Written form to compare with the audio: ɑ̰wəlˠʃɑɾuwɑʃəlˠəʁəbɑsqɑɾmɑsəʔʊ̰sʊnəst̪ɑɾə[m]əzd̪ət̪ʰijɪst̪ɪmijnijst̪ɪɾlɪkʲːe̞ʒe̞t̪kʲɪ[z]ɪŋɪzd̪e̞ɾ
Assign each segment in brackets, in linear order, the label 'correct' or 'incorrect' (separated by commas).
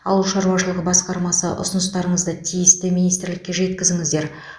incorrect, correct